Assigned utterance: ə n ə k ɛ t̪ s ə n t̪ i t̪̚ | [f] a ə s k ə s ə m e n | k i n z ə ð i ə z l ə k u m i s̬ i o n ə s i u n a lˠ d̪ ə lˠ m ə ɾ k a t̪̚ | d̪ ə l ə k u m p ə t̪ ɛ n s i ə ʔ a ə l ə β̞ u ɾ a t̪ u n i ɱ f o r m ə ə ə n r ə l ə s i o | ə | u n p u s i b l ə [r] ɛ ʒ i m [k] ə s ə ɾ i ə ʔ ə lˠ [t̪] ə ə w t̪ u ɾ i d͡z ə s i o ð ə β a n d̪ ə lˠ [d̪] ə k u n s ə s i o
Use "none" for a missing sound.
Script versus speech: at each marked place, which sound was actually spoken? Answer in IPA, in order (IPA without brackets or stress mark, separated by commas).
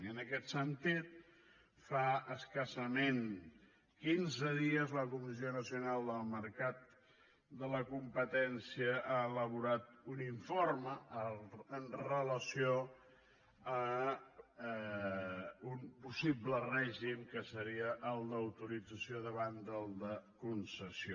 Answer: f, r, k, d̪, d̪